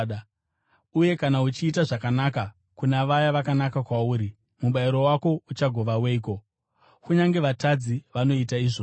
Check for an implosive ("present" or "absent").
present